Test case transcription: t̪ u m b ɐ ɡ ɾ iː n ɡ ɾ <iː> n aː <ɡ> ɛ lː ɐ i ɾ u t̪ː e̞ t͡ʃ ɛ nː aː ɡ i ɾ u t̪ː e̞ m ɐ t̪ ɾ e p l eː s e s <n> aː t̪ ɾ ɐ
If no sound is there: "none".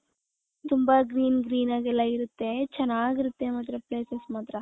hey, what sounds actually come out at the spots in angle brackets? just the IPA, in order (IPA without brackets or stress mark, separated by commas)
iː, ɡ, m